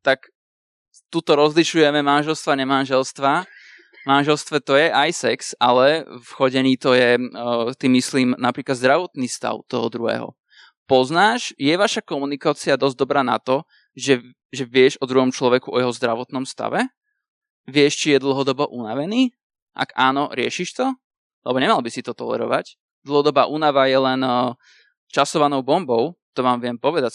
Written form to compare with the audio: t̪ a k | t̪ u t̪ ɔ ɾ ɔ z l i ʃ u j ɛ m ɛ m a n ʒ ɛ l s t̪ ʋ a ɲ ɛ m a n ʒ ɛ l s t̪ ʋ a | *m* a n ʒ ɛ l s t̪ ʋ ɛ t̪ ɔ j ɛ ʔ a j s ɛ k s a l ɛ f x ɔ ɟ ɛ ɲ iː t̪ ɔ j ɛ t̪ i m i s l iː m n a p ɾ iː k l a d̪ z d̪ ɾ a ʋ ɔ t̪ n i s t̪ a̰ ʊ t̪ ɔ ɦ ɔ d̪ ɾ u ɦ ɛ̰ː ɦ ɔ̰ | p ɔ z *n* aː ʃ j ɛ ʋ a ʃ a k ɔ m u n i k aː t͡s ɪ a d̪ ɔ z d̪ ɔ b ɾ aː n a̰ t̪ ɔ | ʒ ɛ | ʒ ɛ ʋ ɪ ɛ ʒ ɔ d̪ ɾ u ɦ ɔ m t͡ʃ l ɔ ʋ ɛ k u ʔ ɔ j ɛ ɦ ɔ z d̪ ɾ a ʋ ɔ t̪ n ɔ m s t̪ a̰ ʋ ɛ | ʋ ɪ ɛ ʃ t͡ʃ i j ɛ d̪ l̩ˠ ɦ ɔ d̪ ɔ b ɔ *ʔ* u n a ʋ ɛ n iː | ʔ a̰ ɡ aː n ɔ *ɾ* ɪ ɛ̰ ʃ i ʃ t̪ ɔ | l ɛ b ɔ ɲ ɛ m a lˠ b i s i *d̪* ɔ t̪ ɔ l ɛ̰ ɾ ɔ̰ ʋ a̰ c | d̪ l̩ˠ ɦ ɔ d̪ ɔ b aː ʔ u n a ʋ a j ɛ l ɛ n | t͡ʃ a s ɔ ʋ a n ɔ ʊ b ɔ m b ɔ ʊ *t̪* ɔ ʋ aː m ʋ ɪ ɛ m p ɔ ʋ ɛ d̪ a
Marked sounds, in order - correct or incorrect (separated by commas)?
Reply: correct, correct, correct, correct, incorrect, correct